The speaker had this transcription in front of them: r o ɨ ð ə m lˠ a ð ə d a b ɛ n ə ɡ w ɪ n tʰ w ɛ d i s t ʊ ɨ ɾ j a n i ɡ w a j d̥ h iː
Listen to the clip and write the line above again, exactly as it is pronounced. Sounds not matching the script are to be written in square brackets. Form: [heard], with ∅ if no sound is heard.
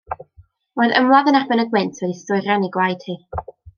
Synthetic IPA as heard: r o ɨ ð ə m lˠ a ð ə [n] a b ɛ n ə ɡ w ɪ n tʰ w ɛ d i s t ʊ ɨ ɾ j a n i ɡ w a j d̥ h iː